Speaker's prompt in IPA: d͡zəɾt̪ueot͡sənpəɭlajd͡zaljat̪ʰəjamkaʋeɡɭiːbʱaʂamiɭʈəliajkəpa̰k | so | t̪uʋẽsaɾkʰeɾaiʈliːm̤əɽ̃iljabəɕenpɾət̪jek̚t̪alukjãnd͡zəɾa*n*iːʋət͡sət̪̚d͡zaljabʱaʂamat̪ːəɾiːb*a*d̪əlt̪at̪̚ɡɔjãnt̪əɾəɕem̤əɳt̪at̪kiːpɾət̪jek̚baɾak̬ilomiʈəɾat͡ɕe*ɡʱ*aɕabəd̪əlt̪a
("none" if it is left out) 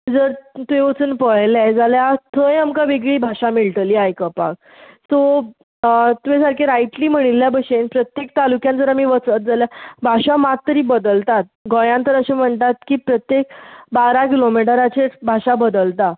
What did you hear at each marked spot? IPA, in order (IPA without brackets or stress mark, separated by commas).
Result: m, ə, bʱ